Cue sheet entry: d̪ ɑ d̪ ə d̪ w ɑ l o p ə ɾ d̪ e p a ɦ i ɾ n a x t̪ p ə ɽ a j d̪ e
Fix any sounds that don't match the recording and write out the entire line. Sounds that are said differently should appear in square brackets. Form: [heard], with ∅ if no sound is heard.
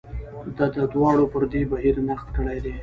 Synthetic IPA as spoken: d̪ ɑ d̪ ə d̪ w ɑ [ɽ] o p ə ɾ d̪ e [b] a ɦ i ɾ n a x t̪ [k] ə ɽ a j d̪ e